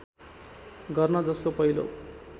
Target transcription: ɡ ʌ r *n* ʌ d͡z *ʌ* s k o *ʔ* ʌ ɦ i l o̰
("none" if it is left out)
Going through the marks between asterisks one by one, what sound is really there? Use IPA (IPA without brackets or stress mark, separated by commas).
n, ʌ, p